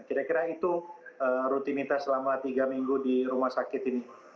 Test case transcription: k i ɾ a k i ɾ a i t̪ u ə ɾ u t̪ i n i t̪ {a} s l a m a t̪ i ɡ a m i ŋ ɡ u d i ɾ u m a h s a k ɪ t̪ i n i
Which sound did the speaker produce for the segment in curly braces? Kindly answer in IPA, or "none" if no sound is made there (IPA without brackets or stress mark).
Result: a